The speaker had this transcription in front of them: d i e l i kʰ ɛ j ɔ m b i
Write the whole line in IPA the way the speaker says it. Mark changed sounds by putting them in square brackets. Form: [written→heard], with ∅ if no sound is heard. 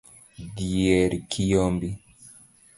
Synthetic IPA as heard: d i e [l→ɾ] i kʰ [ɛ→i] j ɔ m b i